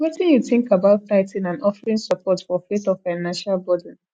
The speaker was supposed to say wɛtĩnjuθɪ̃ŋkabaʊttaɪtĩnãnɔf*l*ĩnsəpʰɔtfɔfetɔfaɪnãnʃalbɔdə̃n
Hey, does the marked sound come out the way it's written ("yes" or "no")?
no